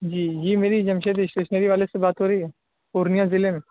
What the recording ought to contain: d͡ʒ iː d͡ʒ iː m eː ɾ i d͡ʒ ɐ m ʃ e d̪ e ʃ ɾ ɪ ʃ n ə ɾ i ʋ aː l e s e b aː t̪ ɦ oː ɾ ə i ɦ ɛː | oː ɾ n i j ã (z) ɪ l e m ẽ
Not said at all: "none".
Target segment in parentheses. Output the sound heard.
z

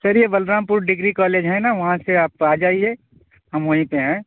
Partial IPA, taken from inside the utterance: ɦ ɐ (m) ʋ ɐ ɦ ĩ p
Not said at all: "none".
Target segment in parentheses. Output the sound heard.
m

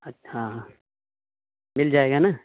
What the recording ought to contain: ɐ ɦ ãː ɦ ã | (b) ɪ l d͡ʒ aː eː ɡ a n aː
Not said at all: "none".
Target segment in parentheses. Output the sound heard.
m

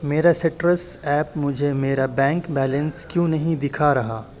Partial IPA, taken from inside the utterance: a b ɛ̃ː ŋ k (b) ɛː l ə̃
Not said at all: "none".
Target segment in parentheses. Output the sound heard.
b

